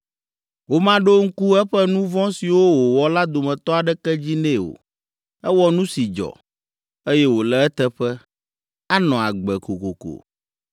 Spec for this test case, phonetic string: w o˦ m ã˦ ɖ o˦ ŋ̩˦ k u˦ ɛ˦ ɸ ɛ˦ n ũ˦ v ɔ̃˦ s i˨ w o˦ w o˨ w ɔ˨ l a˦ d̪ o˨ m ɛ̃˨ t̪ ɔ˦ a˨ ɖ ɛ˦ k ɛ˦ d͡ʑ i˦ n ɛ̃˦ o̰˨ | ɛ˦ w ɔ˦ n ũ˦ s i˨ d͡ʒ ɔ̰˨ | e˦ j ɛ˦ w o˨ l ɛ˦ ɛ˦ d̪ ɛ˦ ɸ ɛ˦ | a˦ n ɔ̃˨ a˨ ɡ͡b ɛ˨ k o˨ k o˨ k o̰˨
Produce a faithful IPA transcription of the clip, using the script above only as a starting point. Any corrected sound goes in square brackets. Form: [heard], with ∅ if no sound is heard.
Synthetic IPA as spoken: w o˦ m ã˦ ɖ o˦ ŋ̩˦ k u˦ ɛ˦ ɸ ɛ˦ n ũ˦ v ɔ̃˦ s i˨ w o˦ w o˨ w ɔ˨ l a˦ d̪ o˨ m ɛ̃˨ t̪ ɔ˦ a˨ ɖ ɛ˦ k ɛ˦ d͡ʑ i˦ n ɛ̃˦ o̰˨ | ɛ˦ w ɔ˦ n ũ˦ s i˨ d͡ʒ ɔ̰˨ | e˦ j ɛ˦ w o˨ l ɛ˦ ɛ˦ [t̪] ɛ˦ ɸ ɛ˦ | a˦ n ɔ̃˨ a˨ ɡ͡b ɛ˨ k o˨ k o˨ k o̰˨

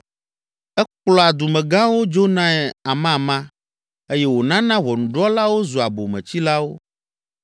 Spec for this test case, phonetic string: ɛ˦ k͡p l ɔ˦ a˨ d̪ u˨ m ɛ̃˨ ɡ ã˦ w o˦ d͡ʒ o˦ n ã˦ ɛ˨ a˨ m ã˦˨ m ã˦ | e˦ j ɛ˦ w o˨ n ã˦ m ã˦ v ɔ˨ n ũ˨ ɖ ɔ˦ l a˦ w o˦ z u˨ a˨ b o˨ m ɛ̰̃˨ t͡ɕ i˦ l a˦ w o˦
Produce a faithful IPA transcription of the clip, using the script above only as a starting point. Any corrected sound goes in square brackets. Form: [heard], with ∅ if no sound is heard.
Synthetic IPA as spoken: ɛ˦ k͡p l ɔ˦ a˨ d̪ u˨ m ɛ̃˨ ɡ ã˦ w o˦ d͡ʒ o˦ n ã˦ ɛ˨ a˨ m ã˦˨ m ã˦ | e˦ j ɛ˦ w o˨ n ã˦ [n] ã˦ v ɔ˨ n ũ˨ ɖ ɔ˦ l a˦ w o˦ z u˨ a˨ b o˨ m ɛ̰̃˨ t͡ɕ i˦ l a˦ w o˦

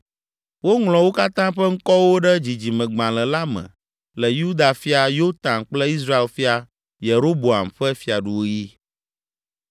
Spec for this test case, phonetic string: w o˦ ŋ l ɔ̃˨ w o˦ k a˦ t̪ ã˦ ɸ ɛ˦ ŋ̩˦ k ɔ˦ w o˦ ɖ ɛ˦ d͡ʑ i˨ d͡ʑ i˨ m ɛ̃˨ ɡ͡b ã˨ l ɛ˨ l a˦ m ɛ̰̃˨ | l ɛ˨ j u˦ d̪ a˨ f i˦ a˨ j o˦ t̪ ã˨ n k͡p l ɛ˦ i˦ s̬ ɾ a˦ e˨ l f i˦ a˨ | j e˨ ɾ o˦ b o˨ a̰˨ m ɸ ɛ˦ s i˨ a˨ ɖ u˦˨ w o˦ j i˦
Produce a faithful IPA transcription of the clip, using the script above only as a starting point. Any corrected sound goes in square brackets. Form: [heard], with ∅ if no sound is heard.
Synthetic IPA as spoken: w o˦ ŋ l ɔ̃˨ w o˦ k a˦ t̪ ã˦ ɸ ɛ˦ ŋ̩˦ k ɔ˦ w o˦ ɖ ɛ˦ d͡ʑ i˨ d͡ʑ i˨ m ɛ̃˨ ɡ͡b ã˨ l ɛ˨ l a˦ m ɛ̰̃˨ | l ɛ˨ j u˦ d̪ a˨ f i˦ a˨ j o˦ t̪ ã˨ n k͡p l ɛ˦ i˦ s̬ ɾ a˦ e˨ l f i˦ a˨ | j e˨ ɾ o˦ b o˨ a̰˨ m ɸ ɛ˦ [f] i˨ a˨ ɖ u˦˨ w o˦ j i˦

